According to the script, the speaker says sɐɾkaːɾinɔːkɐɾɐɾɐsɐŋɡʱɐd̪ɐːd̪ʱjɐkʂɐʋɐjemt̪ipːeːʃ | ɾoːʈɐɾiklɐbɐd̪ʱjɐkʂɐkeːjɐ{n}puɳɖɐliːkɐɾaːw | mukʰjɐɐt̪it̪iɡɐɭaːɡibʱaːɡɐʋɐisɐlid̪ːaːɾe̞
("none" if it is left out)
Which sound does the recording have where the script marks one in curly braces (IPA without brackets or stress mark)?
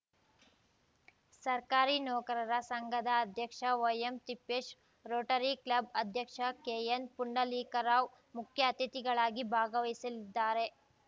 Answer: n